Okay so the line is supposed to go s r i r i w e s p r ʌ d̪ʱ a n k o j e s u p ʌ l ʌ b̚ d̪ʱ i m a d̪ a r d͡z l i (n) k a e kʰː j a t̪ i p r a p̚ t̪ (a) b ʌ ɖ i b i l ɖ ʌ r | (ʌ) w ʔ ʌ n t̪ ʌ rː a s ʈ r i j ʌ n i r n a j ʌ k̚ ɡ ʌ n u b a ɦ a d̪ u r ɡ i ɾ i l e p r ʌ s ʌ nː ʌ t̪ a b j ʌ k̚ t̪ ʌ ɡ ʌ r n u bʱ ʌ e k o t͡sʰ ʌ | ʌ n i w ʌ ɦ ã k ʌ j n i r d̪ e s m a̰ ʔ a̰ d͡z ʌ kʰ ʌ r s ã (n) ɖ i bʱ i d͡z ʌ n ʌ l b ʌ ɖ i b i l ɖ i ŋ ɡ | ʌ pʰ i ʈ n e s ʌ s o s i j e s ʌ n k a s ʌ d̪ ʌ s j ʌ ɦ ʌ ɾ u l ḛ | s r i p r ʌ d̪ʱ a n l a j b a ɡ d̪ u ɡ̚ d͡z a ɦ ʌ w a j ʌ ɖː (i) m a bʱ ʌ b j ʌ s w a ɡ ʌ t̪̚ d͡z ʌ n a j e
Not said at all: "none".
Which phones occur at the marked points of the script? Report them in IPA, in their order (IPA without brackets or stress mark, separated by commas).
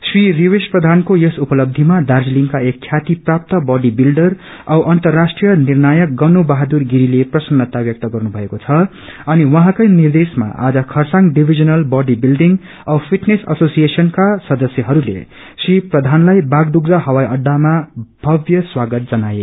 ŋ, ʌ, ʌ, ŋ, a